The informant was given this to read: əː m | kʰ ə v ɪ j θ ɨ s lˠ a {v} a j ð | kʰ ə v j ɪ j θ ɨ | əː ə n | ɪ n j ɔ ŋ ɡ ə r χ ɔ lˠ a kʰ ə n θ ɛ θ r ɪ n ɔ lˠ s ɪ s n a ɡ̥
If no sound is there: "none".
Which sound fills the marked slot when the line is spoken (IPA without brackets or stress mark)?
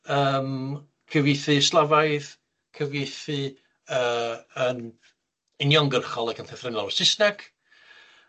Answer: v